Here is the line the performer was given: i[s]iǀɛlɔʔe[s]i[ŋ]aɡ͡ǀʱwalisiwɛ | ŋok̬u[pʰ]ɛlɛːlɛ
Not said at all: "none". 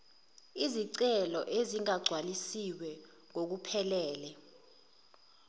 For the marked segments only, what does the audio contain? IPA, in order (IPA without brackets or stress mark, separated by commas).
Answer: z, z, ŋ, pʰ